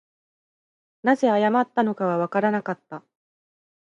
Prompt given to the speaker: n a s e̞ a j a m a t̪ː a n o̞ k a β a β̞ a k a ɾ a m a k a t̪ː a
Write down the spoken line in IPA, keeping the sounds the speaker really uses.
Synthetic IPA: n a z e̞ a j a m a t̪ː a n o̞ k a β a β̞ a k a ɾ a n a k a t̪ː a